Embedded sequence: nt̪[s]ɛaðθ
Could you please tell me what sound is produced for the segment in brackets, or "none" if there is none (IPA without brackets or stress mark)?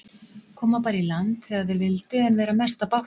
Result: θ